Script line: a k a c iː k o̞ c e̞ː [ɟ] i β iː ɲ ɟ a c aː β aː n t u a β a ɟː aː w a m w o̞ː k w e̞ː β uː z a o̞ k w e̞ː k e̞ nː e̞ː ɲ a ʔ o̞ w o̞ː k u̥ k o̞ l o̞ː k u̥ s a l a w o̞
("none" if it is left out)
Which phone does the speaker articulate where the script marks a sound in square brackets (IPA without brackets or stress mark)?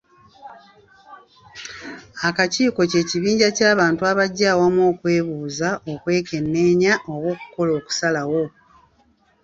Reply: c